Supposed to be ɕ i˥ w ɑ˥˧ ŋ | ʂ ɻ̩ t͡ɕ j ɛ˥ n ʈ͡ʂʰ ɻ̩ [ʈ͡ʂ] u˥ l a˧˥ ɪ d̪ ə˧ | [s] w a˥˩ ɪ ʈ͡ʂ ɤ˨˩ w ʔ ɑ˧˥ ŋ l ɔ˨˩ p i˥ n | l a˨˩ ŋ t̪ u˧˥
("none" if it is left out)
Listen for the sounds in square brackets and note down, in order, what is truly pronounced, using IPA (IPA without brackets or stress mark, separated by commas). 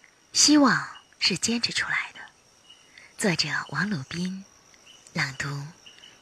ʈ͡ʂʰ, t͡s